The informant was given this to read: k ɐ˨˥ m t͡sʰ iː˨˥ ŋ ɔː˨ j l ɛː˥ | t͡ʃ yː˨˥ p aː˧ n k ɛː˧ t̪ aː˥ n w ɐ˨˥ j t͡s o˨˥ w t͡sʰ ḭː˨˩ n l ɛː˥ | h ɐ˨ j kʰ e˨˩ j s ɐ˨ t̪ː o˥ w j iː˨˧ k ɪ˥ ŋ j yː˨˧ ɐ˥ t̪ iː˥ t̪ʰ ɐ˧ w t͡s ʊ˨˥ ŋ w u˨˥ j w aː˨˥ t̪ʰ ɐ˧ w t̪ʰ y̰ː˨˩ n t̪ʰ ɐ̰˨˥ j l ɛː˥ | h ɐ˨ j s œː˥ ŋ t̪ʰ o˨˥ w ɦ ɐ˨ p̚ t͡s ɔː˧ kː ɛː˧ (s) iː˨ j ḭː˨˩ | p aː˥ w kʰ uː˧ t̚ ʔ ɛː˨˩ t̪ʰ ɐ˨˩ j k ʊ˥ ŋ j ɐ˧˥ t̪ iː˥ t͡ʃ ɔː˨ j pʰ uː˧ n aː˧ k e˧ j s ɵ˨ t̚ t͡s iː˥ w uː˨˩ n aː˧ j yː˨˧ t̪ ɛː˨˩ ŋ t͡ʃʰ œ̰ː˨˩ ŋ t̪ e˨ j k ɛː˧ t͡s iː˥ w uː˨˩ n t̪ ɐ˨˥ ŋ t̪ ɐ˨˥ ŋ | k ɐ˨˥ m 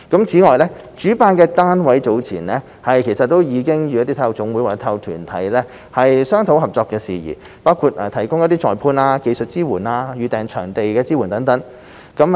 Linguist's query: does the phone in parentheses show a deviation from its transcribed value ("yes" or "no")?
no